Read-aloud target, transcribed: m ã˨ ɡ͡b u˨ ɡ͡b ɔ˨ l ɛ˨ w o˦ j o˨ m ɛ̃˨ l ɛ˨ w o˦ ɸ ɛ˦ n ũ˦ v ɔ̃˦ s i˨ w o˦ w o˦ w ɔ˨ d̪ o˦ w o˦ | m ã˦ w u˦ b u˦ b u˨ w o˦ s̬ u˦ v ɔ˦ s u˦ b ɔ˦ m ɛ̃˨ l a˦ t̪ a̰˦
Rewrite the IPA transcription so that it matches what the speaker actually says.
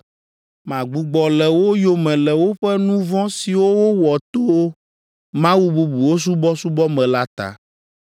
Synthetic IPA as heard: m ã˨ ɡ͡b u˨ ɡ͡b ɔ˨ l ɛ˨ w o˦ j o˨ m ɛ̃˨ l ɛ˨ w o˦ ɸ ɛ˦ n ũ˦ v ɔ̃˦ s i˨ w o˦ w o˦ w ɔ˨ t̪ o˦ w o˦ | m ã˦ w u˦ b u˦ b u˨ w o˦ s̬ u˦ b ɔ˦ s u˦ b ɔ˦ m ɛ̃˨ l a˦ t̪ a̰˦